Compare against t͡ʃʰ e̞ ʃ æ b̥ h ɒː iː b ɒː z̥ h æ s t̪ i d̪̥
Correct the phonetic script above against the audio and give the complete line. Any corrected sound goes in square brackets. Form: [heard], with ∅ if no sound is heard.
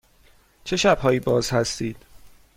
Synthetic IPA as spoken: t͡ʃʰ e̞ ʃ æ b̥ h ɒː iː b ɒː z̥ h æ s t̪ [iː] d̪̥

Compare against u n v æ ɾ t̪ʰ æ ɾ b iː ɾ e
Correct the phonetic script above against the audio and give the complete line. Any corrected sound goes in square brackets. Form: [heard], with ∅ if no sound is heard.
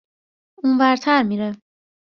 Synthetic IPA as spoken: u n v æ ɾ t̪ʰ æ ɾ [m] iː ɾ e

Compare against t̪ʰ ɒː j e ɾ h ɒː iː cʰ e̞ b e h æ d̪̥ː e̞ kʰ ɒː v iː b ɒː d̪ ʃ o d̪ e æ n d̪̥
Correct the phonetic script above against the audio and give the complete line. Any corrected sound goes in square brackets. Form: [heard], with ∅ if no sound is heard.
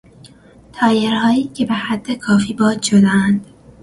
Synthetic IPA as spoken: t̪ʰ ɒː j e ɾ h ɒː iː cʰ e̞ b e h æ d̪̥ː e̞ kʰ ɒː [f] iː b ɒː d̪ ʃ o d̪ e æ n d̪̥

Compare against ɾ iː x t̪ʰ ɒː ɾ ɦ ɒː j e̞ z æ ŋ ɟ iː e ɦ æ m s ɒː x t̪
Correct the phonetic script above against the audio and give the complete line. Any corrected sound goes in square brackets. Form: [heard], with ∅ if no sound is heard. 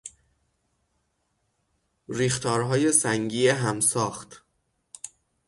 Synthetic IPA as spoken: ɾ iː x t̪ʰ ɒː ɾ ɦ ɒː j e̞ [s] æ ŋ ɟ iː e ɦ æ m s ɒː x t̪

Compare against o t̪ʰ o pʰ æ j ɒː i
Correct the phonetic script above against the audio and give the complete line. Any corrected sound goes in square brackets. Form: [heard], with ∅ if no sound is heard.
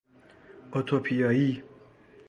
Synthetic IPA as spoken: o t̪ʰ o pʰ [i] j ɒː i

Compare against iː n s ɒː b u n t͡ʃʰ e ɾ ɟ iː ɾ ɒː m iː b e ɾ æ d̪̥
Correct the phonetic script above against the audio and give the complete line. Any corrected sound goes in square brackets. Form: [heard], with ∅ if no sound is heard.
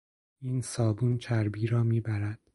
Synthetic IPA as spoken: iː n s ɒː b u n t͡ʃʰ [æ] ɾ [b] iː ɾ ɒː m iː b [æ] ɾ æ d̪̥

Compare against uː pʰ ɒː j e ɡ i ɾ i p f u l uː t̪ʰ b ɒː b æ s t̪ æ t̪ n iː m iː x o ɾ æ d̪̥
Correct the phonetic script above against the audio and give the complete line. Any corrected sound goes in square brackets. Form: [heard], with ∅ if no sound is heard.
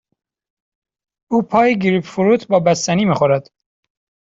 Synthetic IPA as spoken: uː pʰ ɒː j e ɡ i ɾ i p f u [ɾ] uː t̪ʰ b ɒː b æ s t̪ æ [∅] n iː m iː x o ɾ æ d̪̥

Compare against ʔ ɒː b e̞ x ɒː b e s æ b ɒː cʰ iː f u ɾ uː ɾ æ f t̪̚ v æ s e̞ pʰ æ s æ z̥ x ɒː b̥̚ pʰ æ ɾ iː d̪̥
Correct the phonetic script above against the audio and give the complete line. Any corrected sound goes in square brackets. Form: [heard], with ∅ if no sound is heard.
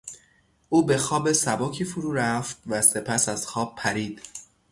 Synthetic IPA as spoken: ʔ [uː] b e̞ x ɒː b e s æ b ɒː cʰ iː f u ɾ uː ɾ æ f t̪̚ v æ s e̞ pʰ æ s æ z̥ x ɒː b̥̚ pʰ æ ɾ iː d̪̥

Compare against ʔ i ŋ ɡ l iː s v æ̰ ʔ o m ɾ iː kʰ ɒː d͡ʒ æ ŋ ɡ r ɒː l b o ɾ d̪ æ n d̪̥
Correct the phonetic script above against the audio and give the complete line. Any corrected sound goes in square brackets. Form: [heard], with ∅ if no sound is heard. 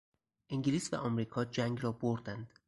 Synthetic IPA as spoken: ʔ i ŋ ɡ l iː s v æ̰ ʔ [ɒ] m ɾ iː kʰ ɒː d͡ʒ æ ŋ ɡ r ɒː [∅] b o ɾ d̪ æ n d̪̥

